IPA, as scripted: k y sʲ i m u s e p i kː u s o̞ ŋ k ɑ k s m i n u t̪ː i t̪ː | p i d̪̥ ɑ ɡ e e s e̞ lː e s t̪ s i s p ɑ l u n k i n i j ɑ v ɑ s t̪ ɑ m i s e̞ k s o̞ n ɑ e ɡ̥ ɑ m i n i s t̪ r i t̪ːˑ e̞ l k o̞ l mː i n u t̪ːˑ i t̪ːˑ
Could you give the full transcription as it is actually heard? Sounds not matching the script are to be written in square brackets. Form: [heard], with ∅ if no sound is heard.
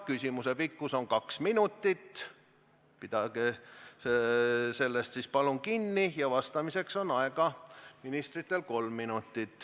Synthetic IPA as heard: k y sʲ i m u s e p i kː u s o̞ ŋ k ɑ k s m i n u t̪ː i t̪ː | p i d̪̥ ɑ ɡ e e s e̞ lː e s t̪ s i s p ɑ l u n k i [nː] i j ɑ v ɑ s t̪ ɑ m i s e̞ k s o̞ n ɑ e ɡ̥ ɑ m i n i s t̪ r i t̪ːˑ e̞ l k o̞ l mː i n u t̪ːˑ i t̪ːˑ